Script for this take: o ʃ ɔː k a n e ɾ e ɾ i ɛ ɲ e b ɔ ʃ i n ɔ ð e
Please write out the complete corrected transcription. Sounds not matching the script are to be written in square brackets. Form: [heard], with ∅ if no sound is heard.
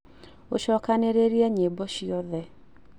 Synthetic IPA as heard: o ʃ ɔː k a n e ɾ e ɾ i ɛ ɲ e b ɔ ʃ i [∅] ɔ ð [ɛ]